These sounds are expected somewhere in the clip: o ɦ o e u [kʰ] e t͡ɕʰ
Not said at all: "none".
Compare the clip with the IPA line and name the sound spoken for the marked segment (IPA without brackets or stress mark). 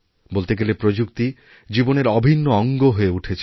ʈʰ